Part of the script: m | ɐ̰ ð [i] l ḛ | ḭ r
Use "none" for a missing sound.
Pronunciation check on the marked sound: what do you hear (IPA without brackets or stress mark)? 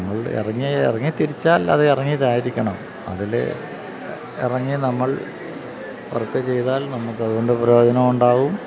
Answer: i